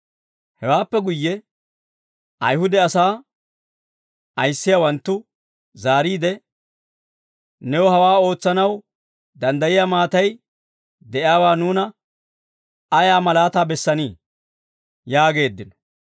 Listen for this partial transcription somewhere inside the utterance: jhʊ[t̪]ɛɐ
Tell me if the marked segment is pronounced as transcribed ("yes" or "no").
no